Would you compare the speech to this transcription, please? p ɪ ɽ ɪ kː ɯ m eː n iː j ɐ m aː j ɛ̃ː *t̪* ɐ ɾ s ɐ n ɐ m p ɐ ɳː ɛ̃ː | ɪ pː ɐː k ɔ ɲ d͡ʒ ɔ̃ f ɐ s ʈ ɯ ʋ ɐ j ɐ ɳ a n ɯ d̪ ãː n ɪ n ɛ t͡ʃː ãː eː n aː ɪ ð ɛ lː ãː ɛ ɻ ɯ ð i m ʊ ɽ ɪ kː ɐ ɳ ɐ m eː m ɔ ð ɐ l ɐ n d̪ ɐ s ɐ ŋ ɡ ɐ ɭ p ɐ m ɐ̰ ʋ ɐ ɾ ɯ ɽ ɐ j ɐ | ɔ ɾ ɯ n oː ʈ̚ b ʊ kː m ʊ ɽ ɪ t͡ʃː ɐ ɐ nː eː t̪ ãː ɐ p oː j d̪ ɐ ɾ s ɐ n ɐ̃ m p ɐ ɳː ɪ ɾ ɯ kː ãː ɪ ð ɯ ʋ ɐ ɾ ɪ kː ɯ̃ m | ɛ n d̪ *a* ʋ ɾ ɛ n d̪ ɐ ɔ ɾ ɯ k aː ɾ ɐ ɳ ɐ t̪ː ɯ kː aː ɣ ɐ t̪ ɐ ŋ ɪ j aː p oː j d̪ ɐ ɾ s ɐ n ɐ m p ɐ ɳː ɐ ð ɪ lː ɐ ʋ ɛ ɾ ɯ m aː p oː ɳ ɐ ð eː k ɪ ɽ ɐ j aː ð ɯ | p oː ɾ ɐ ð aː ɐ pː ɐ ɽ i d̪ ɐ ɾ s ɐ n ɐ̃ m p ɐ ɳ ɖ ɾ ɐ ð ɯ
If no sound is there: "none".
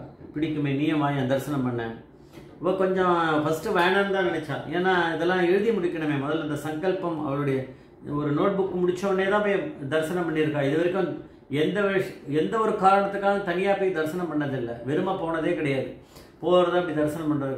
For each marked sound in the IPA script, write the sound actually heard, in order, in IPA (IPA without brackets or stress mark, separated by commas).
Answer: d̪, ɐ